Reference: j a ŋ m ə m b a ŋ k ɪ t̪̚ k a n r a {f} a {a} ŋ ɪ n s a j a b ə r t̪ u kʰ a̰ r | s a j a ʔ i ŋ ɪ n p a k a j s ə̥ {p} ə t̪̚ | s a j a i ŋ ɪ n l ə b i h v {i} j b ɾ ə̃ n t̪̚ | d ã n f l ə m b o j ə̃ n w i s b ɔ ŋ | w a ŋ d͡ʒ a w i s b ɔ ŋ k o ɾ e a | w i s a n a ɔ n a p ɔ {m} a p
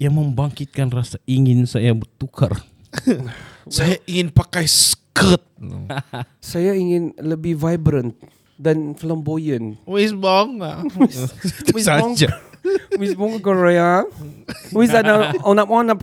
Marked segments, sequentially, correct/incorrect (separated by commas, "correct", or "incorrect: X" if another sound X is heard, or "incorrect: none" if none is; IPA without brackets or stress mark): incorrect: s, incorrect: i, incorrect: k, incorrect: a, incorrect: n